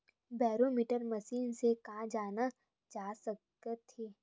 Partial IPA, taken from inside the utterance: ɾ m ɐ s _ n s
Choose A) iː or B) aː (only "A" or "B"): A